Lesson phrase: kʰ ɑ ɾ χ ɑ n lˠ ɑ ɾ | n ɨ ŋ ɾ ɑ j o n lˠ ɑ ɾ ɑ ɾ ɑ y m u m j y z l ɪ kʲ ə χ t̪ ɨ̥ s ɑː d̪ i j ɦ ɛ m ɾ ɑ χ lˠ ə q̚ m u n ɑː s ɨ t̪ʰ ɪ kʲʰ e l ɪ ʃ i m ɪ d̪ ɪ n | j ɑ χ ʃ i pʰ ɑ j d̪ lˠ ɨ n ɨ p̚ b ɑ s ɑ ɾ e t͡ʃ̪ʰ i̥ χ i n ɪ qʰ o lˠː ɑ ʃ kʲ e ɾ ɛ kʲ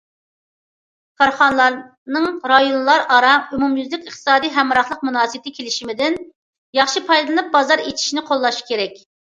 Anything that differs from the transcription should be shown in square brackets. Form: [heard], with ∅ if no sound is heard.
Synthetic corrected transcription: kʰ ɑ ɾ χ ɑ n lˠ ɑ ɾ | n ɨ ŋ ɾ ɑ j o n lˠ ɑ ɾ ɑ ɾ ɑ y m u m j y z l ɪ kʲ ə χ t̪ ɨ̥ s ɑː d̪ i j ɦ ɛ m ɾ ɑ χ lˠ ə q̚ m u n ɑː s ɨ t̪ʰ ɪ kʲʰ e l ɪ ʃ i m ɪ d̪ ɪ n | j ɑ χ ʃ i pʰ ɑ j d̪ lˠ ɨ n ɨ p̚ b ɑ [z] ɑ ɾ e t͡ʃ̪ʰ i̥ [ʃ] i n ɪ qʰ o lˠː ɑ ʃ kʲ e ɾ ɛ kʲ